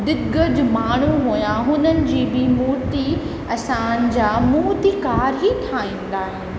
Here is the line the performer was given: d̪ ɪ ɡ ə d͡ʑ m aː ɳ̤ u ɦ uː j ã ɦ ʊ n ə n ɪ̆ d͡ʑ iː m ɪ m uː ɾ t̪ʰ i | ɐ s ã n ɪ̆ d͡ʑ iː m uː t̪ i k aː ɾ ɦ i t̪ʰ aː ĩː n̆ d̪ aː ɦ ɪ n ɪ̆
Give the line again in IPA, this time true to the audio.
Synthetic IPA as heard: d̪ ɪ ɡ ə d͡ʑ m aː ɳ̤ u ɦ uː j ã ɦ ʊ n ə n ɪ̆ d͡ʑ iː b ɪ m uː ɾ t̪ i | ɐ s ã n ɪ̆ d͡ʑ aː m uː t̪ i k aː ɾ ɦ i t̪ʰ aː ĩː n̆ d̪ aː ɦ ɪ n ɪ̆